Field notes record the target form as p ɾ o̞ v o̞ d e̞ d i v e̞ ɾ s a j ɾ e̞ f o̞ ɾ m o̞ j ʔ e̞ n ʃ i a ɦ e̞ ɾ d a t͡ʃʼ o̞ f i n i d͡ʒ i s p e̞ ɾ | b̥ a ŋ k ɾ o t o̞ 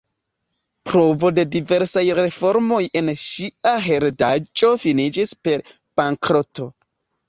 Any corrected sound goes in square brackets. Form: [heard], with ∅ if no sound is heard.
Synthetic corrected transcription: p ɾ o̞ v o̞ d e̞ d i v e̞ ɾ s a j ɾ e̞ f o̞ ɾ m o̞ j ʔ e̞ n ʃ i a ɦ e̞ ɾ d a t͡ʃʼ o̞ f i n i d͡ʒ i s p e̞ ɾ | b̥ a ŋ k ɾ o t o̞